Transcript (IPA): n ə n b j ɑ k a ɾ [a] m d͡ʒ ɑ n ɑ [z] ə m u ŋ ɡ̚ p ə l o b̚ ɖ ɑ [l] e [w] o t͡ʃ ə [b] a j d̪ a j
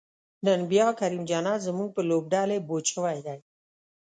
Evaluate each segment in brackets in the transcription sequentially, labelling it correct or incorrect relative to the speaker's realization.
incorrect, correct, correct, incorrect, incorrect

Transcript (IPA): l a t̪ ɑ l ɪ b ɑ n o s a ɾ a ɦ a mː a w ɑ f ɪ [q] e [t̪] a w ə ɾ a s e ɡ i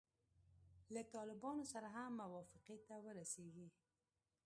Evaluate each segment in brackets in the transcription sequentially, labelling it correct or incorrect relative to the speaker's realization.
correct, correct

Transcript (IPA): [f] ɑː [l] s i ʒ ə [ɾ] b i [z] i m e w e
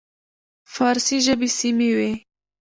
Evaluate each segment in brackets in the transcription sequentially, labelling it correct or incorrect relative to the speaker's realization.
correct, incorrect, incorrect, incorrect

